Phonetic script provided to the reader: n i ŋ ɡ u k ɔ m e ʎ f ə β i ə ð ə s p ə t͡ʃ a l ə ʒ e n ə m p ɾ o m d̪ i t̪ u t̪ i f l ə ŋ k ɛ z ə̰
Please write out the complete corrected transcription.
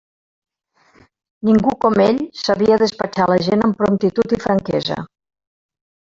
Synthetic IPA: n i ŋ ɡ u k ɔ m e ʎ s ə β i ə ð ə s p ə t͡ʃ a l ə ʒ e n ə m p ɾ o m t̪ i t̪ u t̪ i f ɾ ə ŋ k ɛ z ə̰